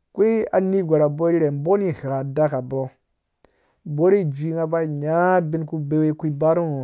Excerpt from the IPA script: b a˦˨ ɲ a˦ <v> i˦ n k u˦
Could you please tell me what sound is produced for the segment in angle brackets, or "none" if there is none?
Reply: b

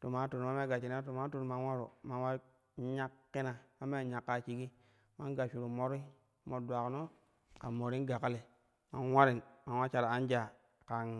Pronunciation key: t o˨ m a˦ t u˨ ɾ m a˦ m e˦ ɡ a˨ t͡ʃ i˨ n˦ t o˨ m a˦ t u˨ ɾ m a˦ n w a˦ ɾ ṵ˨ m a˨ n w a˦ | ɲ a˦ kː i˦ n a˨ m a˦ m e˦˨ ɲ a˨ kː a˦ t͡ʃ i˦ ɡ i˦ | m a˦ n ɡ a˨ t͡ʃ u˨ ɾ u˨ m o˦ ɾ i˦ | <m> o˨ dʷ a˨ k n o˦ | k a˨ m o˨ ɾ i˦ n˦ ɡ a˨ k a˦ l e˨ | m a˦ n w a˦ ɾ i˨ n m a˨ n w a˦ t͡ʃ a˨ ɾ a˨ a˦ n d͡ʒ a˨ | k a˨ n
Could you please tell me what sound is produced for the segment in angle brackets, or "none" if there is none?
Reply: m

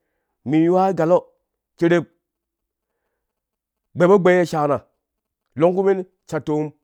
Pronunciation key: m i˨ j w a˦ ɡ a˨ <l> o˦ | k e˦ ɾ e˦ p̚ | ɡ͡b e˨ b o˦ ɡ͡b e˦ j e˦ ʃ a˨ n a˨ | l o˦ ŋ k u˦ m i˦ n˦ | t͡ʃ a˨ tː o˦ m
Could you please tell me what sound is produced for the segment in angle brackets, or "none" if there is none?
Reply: l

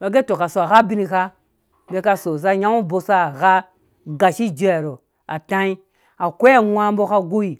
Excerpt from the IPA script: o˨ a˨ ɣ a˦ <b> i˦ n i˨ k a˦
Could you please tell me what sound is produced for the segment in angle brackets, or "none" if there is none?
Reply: b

